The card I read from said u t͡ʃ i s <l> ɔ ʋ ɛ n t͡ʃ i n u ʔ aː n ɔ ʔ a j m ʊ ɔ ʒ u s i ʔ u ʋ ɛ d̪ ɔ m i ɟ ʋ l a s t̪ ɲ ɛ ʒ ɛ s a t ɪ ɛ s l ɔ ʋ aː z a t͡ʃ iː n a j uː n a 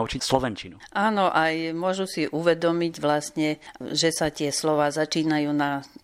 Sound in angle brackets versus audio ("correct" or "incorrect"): correct